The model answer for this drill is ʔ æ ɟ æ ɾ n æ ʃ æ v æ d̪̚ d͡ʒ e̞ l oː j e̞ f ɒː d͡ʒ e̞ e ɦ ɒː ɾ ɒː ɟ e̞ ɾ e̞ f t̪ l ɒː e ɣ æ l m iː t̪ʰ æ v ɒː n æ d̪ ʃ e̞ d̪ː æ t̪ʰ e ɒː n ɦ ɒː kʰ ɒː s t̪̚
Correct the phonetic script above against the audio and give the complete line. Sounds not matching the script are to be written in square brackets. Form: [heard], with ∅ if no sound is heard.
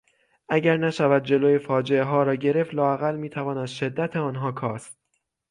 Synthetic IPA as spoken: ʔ æ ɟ æ ɾ n æ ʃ æ v æ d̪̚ d͡ʒ e̞ l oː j e̞ f ɒː d͡ʒ e̞ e ɦ ɒː ɾ ɒː ɟ e̞ ɾ e̞ f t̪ l ɒː [æ] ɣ æ l m iː t̪ʰ æ v ɒː n æ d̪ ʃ e̞ d̪ː æ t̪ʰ e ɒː n ɦ ɒː kʰ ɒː s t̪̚